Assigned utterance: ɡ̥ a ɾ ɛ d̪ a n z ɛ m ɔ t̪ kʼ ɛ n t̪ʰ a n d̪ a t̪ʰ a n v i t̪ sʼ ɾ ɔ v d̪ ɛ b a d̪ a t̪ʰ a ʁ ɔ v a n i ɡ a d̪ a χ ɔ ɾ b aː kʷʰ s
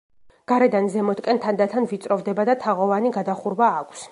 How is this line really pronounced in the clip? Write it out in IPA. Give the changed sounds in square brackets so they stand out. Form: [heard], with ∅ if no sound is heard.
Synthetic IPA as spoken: ɡ̥ a ɾ ɛ d̪ a n z ɛ m ɔ t̪ kʼ ɛ n t̪ʰ a n d̪ a t̪ʰ a n v i t̪ sʼ ɾ ɔ v d̪ ɛ b a d̪ a t̪ʰ a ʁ ɔ v a n i ɡ a d̪ a χ [u] ɾ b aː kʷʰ s